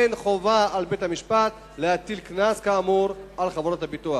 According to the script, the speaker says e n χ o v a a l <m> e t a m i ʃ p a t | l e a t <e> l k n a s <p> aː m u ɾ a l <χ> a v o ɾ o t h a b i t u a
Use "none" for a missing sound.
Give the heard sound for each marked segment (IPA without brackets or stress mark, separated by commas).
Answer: b, i, k, χ